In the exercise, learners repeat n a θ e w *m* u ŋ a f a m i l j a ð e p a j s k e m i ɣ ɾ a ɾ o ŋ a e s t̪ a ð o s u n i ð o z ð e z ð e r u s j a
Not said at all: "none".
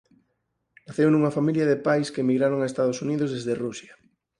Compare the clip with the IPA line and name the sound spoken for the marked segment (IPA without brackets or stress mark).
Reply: n